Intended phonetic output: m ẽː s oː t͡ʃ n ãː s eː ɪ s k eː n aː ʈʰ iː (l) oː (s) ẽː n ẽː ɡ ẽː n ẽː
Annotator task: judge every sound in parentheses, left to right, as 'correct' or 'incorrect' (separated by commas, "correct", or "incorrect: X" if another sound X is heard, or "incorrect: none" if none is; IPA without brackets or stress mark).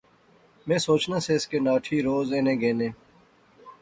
incorrect: ɾ, incorrect: z